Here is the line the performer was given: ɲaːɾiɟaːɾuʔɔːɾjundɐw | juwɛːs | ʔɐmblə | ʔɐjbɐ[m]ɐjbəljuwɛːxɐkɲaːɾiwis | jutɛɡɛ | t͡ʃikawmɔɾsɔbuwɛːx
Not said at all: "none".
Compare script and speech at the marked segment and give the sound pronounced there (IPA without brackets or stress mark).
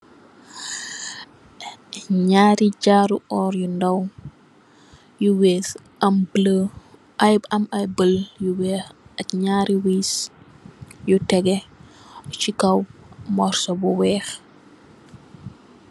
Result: m